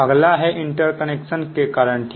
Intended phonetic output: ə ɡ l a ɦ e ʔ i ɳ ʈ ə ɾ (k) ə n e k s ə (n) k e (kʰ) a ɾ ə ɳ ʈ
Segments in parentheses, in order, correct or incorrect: correct, correct, incorrect: k

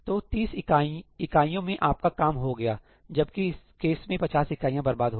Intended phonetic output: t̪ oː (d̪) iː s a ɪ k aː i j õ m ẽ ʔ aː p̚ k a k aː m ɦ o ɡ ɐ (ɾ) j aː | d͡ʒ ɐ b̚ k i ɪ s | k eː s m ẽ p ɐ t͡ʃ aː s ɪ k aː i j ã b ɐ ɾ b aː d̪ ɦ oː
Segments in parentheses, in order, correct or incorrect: incorrect: t̪, incorrect: none

